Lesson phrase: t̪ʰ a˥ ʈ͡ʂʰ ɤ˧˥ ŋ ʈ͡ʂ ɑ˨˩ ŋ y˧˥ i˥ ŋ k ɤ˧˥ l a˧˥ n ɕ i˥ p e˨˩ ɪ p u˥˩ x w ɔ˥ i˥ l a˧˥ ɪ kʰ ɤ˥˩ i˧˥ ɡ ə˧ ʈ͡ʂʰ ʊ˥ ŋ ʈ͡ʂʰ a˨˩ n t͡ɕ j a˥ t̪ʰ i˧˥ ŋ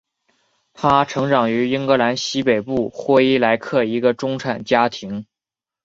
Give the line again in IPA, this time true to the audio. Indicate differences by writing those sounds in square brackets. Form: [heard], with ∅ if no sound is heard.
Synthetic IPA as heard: t̪ʰ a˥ ʈ͡ʂʰ ɤ˧˥ ŋ ʈ͡ʂ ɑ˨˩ ŋ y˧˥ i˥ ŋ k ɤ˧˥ l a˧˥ n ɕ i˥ p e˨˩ ɪ p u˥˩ x w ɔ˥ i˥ l a˧˥ ɪ kʰ ɤ˥˩ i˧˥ ɡ ə˧ [ʈ͡ʂ] ʊ˥ ŋ ʈ͡ʂʰ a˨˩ n t͡ɕ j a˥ t̪ʰ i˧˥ ŋ